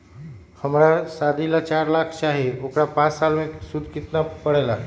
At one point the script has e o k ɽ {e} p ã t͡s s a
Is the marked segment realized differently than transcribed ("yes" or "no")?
yes